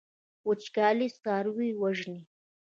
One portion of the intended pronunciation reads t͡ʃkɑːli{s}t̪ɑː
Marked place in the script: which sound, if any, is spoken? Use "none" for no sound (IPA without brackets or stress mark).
s